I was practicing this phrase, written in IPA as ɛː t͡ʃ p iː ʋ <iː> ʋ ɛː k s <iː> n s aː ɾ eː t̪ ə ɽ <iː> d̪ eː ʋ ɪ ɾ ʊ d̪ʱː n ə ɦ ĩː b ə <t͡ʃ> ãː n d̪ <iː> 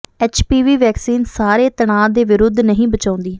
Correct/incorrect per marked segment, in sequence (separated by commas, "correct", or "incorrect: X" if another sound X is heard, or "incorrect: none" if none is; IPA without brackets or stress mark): correct, correct, incorrect: aː, correct, correct